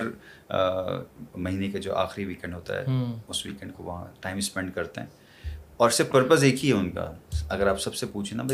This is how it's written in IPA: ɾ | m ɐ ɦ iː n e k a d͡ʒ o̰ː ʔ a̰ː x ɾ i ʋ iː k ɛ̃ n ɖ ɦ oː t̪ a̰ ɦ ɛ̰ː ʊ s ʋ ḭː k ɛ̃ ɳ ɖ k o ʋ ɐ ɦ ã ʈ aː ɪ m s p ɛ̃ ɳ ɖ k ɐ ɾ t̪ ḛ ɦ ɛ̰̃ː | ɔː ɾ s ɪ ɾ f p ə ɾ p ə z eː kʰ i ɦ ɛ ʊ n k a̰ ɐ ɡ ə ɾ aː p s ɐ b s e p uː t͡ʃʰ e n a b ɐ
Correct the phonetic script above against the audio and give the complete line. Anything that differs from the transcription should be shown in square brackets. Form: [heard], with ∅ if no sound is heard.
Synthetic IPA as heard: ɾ | m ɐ ɦ iː n e k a d͡ʒ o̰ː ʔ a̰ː x ɾ i ʋ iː k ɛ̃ [ɳ] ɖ ɦ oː t̪ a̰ ɦ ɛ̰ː ʊ s ʋ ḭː k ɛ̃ ɳ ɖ k o ʋ ɐ ɦ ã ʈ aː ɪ m s p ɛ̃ ɳ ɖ k ɐ ɾ t̪ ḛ ɦ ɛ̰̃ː | ɔː ɾ s ɪ ɾ f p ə ɾ p ə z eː kʰ i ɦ ɛ ʊ n k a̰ ɐ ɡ ə ɾ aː p s ɐ b s e p uː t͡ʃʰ e n a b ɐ